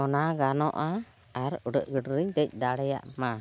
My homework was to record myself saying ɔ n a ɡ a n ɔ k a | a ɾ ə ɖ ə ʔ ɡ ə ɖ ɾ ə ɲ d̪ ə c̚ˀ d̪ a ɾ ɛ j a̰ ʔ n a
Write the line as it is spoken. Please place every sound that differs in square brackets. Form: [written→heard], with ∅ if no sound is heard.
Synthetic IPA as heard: ɔ n a ɡ a n ɔ [k→ʔ] a | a ɾ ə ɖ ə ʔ ɡ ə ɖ ɾ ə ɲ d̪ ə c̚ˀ d̪ a [ɾ→ɽ] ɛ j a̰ ʔ [n→m] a